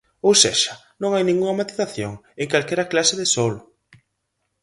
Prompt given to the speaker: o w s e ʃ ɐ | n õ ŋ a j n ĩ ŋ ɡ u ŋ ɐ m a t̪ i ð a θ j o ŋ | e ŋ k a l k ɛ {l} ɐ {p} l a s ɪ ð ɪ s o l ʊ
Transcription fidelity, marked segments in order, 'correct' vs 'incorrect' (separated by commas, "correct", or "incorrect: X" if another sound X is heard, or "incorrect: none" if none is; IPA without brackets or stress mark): incorrect: ɾ, incorrect: k